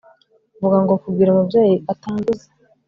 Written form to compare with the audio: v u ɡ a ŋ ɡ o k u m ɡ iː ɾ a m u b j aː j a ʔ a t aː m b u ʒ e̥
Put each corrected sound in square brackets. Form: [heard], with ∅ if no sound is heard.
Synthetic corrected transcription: v u ɡ a ŋ ɡ o k u [b] ɡ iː ɾ a m u b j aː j [i] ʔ a t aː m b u [z] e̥